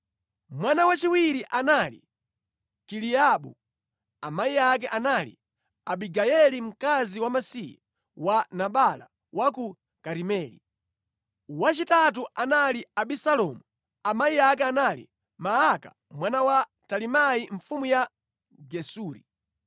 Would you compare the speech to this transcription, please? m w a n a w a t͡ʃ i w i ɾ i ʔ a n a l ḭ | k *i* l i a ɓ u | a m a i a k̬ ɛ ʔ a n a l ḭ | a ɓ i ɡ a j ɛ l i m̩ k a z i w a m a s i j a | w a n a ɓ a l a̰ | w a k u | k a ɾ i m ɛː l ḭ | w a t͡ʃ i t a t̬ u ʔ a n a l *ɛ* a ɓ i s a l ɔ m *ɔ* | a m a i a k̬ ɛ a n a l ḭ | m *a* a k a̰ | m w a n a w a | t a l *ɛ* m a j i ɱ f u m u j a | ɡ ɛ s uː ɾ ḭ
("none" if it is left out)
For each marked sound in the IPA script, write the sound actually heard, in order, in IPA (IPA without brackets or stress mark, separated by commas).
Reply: i, i, u, a, i